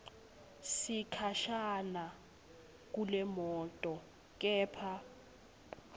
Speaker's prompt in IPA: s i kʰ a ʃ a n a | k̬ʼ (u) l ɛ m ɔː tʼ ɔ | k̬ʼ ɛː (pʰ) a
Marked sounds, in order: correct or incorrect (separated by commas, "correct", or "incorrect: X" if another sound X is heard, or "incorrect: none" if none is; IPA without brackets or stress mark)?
correct, correct